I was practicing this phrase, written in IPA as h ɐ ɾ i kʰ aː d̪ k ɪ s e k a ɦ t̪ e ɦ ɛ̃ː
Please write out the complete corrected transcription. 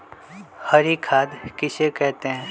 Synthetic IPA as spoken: h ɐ ɾ i kʰ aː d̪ k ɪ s e k ɛ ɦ t̪ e ɦ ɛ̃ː